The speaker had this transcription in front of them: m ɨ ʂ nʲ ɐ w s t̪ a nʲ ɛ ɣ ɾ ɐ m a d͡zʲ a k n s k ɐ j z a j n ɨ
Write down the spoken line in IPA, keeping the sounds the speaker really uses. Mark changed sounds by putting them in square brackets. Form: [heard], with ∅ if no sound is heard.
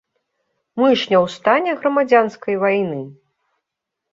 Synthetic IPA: m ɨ ʂ nʲ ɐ w s t̪ a nʲ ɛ ɣ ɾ ɐ m a d͡zʲ a [∅] n s k ɐ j [v] a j n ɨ